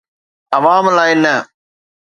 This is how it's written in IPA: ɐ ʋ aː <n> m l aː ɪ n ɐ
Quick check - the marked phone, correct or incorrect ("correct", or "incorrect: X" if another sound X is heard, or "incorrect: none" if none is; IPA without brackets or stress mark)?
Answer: incorrect: none